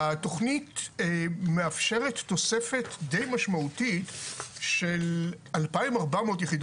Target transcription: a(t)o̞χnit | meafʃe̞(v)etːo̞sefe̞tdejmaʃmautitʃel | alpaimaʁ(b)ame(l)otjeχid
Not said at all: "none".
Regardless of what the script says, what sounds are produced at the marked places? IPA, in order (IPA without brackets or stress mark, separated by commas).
t, ʁ, b, none